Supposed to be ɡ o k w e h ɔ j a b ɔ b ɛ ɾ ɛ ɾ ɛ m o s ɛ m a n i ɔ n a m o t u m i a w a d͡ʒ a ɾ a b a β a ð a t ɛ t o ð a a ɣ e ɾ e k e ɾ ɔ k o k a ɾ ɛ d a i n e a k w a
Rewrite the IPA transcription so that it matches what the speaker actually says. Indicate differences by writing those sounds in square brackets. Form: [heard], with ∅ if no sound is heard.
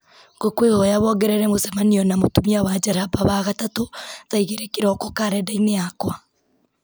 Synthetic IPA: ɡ o k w e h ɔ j a [β] ɔ [ɡ] ɛ ɾ ɛ ɾ ɛ m o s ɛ m a n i ɔ n a m o t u m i a w a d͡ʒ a ɾ a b a β a [ɣ] a t [a] t o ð a [i] ɣ e ɾ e k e ɾ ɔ k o k a ɾ ɛ d a i n e a k w a